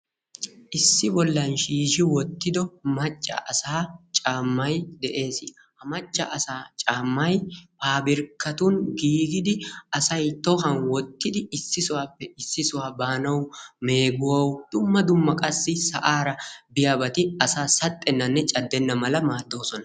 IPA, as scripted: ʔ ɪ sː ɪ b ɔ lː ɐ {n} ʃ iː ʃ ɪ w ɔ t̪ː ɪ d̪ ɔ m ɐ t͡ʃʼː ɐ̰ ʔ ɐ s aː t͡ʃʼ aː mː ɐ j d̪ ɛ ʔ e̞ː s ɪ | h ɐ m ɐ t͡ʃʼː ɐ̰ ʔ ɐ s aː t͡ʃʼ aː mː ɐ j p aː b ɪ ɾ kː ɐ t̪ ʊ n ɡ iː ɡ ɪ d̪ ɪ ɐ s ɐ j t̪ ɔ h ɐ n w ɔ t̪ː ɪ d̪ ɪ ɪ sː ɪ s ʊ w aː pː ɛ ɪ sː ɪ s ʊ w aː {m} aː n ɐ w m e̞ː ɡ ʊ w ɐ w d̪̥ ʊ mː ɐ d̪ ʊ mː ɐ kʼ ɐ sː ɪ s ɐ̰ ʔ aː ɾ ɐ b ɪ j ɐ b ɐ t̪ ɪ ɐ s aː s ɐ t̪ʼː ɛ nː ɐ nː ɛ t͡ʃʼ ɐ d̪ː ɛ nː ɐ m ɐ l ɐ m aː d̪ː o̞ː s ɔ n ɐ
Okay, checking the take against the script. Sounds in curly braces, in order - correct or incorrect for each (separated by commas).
correct, incorrect